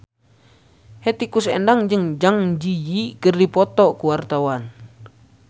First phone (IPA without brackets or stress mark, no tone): h